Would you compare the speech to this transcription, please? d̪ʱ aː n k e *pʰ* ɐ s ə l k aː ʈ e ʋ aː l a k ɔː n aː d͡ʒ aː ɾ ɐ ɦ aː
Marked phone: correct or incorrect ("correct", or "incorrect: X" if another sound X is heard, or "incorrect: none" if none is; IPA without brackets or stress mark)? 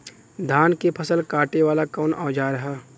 correct